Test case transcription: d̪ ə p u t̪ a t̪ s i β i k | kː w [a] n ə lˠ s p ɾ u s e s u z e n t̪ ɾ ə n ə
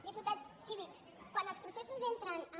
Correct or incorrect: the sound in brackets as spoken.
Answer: correct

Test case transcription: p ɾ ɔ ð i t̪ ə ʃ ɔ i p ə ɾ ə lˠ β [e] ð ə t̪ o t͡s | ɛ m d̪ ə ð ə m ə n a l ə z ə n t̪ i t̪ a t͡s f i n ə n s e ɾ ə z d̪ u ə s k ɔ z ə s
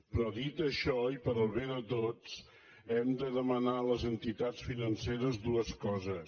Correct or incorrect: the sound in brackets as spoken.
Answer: correct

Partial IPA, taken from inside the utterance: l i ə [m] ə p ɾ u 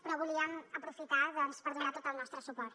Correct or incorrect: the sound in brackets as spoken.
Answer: correct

